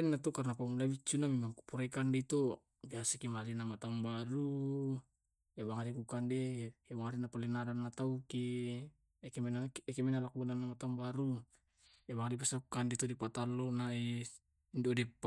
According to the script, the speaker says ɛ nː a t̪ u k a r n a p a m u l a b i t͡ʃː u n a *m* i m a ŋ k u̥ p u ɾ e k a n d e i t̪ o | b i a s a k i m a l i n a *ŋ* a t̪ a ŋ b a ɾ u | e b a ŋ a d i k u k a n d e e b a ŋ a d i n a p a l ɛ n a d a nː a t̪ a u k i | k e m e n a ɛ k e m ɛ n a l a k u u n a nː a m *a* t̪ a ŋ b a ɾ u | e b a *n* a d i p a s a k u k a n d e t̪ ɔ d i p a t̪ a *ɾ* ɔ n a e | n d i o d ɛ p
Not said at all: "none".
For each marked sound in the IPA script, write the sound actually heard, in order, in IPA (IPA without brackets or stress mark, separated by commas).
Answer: m, m, a, ŋ, l